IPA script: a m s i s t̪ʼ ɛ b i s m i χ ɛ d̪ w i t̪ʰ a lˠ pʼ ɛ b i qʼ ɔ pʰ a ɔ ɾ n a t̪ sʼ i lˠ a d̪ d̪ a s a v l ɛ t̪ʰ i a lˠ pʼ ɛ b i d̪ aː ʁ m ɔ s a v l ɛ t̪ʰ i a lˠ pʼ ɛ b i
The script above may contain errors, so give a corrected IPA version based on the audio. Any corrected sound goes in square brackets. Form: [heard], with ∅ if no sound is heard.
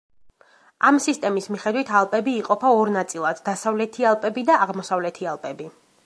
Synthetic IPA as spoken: a m s i s t̪ʼ ɛ [m] i s m i χ ɛ d̪ w i t̪ʰ a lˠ pʼ ɛ b [iː] qʼ ɔ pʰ a ɔ ɾ n a t̪ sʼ i lˠ a d̪ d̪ a s a v l ɛ t̪ʰ i a lˠ pʼ ɛ b i d̪ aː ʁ m ɔ s a v l ɛ t̪ʰ i a lˠ pʼ ɛ b i